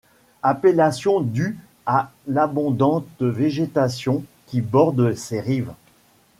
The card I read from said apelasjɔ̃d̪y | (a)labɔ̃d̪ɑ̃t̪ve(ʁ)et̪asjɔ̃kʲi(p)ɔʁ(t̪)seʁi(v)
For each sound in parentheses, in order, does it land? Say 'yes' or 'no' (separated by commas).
yes, no, no, no, yes